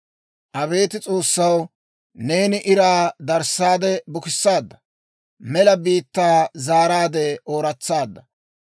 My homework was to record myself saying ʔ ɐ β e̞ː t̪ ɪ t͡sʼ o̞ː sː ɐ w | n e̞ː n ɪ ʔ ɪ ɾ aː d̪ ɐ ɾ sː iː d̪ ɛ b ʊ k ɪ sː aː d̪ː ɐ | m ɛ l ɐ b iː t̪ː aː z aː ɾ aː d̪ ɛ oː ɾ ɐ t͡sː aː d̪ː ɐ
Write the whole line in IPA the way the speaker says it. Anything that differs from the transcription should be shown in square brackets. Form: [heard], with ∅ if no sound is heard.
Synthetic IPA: ʔ ɐ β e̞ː t̪ ɪ t͡sʼ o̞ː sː ɐ w | n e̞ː n ɪ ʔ ɪ ɾ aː d̪ ɐ ɾ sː [aː] d̪ ɛ b ʊ k ɪ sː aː d̪ː ɐ | m ɛ l ɐ b iː t̪ː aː z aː ɾ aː d̪ ɛ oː ɾ ɐ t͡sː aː d̪ː ɐ